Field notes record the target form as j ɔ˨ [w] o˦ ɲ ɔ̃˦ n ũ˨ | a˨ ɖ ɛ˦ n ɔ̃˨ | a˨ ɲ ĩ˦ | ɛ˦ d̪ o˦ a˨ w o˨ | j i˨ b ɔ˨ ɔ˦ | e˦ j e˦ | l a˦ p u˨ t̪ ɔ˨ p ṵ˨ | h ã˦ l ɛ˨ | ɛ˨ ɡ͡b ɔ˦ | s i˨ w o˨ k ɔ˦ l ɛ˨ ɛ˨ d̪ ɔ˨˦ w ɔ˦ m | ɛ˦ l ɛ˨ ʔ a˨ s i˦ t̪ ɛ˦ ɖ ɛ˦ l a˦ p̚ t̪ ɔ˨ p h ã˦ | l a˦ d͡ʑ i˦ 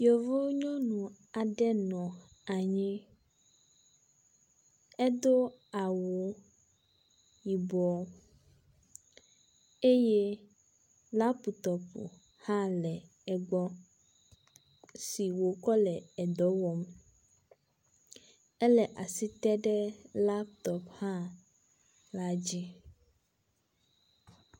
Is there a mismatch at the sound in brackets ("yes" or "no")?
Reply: yes